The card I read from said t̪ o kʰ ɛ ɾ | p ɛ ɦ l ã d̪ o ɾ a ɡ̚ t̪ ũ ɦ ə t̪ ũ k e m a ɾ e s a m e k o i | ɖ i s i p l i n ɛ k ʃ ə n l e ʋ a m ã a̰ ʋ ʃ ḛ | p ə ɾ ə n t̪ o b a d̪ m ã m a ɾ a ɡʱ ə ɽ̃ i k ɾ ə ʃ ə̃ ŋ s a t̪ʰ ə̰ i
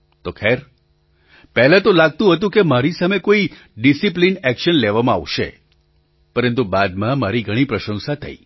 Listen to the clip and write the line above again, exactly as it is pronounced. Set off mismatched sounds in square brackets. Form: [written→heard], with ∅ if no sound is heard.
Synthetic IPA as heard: t̪ o kʰ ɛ ɾ | p ɛ ɦ l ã [d̪→t̪] o [ɾ→l] a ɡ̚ t̪ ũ ɦ ə t̪ ũ k e m a ɾ [e→i] s a m e k o i | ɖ i s i p l i n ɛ k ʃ ə n l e ʋ a m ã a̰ ʋ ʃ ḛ | p ə ɾ ə n t̪ [o→u] b a d̪ m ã m a ɾ [a→i] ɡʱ ə ɽ̃ i [k→p] ɾ ə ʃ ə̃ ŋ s a t̪ʰ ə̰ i